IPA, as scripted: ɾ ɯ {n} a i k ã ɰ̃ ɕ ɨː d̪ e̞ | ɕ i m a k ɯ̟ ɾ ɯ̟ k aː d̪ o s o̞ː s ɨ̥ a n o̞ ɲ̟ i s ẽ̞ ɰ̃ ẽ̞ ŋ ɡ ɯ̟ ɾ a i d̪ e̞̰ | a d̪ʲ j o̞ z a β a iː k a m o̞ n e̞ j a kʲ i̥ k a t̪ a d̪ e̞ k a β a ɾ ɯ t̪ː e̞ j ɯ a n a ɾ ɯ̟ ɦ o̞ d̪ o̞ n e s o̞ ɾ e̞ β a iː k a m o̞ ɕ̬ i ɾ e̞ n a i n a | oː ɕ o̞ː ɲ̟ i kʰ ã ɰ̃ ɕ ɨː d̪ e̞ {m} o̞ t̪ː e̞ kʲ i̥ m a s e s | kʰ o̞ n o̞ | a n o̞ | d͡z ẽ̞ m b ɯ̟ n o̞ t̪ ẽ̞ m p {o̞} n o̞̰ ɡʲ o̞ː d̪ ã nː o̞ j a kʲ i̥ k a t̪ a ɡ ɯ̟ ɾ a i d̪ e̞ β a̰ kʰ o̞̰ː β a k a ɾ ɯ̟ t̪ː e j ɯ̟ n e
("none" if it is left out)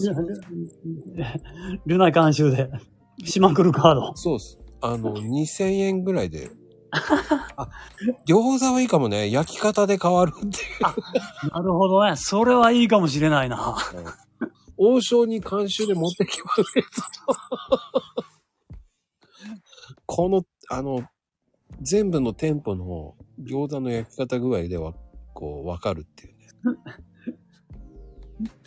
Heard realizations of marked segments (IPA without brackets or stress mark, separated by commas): n, m, o̞